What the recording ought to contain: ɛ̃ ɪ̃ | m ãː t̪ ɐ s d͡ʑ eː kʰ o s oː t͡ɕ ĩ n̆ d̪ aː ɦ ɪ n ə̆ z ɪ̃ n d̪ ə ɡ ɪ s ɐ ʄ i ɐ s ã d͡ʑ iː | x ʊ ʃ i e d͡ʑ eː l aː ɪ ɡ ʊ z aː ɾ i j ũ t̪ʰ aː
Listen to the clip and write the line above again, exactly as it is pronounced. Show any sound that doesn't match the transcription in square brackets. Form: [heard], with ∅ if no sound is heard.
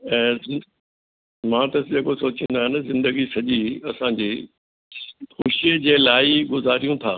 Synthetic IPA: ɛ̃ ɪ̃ | m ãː t̪ ɐ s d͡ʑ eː [k] o s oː t͡ɕ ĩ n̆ d̪ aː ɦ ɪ n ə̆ z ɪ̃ n d̪ ə ɡ [i] s ɐ ʄ i ɐ s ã d͡ʑ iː | x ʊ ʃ i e d͡ʑ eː l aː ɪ ɡ ʊ z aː ɾ i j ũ t̪ʰ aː